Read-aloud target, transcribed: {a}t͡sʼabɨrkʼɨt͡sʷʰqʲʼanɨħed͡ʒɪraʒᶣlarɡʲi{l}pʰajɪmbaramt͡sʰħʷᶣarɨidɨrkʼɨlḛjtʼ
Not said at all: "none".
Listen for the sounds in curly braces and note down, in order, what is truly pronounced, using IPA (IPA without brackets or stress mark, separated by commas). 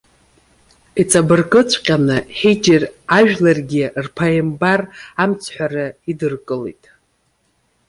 i, r